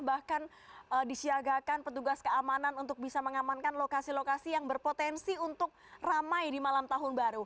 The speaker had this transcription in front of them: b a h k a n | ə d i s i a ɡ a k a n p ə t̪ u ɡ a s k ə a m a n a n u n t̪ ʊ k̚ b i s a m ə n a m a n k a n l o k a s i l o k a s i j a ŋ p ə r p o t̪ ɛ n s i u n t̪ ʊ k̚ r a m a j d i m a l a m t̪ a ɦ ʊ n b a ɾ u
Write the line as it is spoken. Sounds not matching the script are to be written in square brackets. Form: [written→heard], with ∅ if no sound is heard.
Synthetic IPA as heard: b a h k a n | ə d i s i a ɡ a k a n p ə t̪ u ɡ a s k ə a m a n a n u n t̪ ʊ k̚ b i s a m ə [n→ŋ] a m a n k a n l o k a s i l o k a s i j a ŋ [p→b] ə r p o t̪ ɛ n s i u n t̪ ʊ k̚ r a m a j d i m a l a m t̪ a ɦ ʊ n b a ɾ u